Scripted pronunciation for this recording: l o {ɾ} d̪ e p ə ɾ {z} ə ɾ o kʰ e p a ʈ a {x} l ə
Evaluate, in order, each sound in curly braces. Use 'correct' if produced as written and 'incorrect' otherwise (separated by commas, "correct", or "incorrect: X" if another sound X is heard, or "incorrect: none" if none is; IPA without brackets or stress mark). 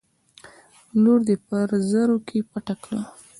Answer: correct, correct, incorrect: k